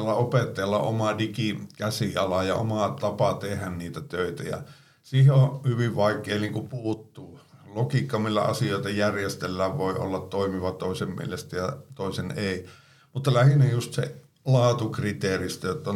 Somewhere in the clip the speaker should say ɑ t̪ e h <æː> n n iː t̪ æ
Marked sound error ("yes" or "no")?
yes